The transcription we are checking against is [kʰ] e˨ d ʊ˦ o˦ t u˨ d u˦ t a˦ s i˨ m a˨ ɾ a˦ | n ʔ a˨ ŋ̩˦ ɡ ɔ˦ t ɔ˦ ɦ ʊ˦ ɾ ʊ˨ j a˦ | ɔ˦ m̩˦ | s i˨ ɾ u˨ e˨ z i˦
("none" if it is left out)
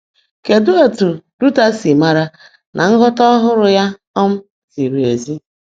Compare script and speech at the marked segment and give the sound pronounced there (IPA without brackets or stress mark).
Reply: k